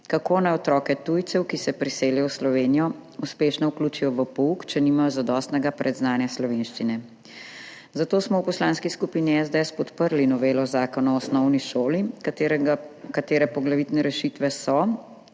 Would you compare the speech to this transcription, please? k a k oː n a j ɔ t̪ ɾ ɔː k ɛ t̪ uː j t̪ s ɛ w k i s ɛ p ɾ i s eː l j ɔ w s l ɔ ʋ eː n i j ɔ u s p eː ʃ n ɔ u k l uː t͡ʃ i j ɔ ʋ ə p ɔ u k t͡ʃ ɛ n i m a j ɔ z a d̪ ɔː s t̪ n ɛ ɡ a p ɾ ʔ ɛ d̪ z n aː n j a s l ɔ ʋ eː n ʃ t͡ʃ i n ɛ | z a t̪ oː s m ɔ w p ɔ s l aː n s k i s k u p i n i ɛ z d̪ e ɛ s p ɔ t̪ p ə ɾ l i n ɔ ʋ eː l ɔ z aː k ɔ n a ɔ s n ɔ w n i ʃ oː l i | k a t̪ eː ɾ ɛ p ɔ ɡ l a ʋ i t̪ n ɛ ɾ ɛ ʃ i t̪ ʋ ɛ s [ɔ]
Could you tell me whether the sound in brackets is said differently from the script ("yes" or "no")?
no